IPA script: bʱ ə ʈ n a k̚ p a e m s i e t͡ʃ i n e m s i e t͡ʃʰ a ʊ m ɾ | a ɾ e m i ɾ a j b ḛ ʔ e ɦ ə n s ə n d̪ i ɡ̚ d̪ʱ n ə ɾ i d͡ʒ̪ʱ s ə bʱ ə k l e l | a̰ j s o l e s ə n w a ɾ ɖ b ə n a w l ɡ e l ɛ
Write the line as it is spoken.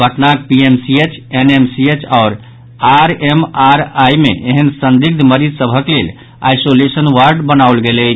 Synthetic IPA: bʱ ə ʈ n a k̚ p i e m s i e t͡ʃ e n e m s i e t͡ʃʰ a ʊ ɾ | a ɾ e m a ɾ a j m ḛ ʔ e ɦ ə n s ə n d̪ i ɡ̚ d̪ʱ m ə ɾ i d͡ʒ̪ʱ s ə bʱ ə k l e l | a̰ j s o l e s ə n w a ɾ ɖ b ə n a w l ɡ e l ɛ

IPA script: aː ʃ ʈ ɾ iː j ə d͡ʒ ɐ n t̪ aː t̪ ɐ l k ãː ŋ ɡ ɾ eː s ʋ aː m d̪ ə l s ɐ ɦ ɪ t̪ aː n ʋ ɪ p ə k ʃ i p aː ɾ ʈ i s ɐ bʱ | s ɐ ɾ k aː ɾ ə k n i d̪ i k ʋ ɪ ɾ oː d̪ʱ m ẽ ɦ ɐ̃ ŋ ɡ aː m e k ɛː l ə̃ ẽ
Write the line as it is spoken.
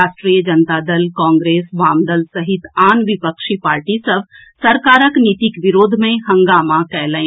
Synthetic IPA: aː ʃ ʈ ɾ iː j ə d͡ʒ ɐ n t̪ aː d̪ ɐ l k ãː ŋ ɡ ɾ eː s ʋ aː m d̪ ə l s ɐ ɦ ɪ t̪ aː n ʋ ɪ p ə k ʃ i p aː ɾ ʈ i s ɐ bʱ | s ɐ ɾ k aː ɾ ə k n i t̪ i k ʋ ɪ ɾ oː d̪ʱ m ẽ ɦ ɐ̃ ŋ ɡ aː m a k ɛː l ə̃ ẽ

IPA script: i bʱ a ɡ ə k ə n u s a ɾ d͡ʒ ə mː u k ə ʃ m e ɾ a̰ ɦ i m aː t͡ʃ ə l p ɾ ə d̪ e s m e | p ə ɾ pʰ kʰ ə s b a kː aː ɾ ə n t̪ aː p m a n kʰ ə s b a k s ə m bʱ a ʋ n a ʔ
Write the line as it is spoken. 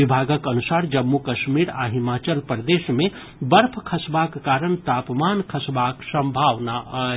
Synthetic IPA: i bʱ a ɡ ə k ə n u s a ɾ d͡ʒ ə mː u k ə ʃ m i ɾ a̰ ɦ i m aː t͡ʃ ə l p ɾ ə d̪ e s m e | b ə ɾ pʰ kʰ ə s b a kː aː ɾ ə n t̪ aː p m a n kʰ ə s b a k s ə m bʱ a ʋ n a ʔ

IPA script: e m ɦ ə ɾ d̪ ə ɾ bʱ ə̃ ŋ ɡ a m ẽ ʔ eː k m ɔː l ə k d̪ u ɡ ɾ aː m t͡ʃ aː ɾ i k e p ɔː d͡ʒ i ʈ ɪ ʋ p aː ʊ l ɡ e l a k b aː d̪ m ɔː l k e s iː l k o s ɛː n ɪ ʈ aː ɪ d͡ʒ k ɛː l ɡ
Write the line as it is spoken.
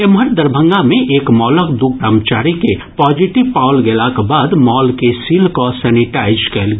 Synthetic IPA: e m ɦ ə ɾ d̪ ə ɾ bʱ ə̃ ŋ ɡ a m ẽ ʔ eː k m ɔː l ə k d̪ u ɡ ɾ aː m t͡ʃ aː ɾ i k e p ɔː d͡ʒ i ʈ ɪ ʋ p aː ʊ l ɡ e l a k b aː d̪ m ɔː l k e s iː l k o s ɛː n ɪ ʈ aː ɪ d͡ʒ k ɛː l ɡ

